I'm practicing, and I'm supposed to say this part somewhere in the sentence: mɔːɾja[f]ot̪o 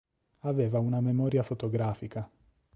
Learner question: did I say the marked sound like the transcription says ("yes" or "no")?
yes